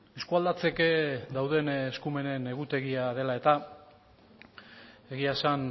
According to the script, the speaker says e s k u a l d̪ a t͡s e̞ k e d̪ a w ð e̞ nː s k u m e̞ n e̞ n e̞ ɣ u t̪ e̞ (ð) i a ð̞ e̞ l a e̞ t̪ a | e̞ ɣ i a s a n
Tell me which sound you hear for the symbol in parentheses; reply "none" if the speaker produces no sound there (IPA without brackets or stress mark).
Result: ɣ